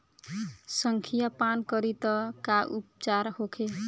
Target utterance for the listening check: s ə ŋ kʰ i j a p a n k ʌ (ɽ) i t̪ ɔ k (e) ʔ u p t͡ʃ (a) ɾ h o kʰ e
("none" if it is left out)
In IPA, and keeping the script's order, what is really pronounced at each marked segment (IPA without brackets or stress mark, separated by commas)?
ɾ, a, a